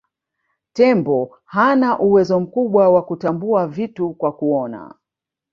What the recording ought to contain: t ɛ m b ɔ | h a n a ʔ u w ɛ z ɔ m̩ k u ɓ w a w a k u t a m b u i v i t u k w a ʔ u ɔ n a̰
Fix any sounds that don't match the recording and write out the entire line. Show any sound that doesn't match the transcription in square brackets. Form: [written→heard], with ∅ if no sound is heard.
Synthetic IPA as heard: t ɛ m b ɔ | h a n a ʔ u w ɛ z ɔ m̩ k u ɓ w a w a k u t a m b u [i→a] v i t u k w a [ʔ→k] u ɔ n a̰